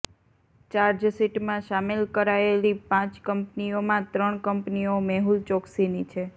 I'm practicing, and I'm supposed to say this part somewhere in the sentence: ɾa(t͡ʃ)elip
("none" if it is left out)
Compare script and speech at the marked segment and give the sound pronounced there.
none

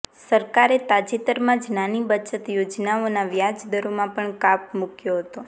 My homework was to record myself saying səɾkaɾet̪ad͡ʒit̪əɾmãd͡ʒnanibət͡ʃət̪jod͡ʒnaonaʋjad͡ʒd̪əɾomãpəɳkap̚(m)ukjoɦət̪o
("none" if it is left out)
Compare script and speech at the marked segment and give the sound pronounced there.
m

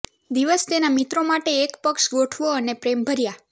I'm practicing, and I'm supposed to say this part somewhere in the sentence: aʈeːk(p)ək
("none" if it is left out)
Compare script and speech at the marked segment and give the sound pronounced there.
p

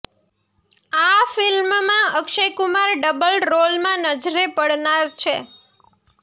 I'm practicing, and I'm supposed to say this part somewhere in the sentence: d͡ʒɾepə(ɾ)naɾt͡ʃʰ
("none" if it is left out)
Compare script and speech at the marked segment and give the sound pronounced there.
ɽ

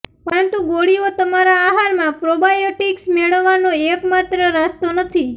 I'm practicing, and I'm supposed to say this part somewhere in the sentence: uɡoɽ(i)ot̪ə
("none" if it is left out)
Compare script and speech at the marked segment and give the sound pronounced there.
i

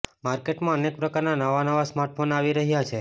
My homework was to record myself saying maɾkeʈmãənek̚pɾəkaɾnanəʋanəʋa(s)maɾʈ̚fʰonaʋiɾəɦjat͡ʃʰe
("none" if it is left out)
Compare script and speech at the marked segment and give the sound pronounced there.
s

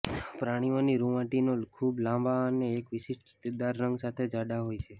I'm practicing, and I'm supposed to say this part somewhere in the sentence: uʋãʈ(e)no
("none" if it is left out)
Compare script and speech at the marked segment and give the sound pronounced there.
i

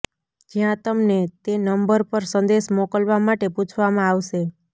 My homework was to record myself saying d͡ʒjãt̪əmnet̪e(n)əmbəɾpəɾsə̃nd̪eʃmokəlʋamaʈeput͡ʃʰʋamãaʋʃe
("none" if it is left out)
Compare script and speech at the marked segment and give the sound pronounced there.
n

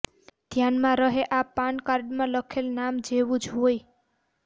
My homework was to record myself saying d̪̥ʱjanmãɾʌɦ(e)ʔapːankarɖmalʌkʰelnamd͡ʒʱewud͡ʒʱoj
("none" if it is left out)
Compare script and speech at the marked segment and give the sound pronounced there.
e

